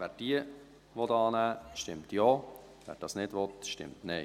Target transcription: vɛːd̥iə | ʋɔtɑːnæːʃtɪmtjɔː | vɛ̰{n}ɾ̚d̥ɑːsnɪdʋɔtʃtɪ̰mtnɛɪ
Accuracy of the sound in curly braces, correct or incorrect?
incorrect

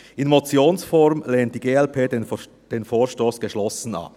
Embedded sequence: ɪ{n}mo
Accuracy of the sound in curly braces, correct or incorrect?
correct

